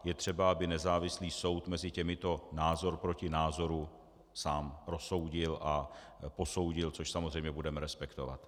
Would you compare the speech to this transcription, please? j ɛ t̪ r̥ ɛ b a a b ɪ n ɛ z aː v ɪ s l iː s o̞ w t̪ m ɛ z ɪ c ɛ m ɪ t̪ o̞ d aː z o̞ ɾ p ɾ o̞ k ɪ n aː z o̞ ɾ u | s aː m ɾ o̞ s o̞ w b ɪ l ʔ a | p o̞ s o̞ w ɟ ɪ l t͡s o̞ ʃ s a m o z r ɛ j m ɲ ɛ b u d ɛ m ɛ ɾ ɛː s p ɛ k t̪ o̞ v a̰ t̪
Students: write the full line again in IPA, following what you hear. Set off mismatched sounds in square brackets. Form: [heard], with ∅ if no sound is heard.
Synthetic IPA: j ɛ t̪ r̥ ɛ b a a b ɪ n ɛ z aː v ɪ s l iː s o̞ w t̪ m ɛ z ɪ c ɛ m ɪ t̪ o̞ [n] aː z o̞ ɾ p ɾ o̞ [c] ɪ n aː z o̞ ɾ u | s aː m ɾ o̞ s o̞ w [ɟ] ɪ l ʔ a | p o̞ s o̞ w ɟ ɪ l t͡s o̞ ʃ s a m o z r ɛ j m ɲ ɛ b u d ɛ m ɛ ɾ [ɛ] s p ɛ k t̪ o̞ v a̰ t̪